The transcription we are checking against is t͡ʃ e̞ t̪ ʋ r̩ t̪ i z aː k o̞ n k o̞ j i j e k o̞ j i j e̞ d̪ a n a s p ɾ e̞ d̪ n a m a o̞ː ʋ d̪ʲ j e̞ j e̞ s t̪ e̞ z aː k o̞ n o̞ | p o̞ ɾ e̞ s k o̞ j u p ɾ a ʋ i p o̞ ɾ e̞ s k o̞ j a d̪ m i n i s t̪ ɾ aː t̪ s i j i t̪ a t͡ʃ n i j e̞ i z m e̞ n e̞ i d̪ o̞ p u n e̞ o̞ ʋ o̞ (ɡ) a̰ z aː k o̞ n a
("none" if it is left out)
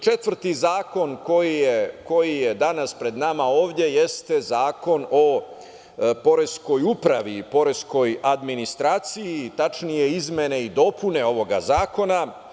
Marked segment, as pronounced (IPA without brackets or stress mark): ɡ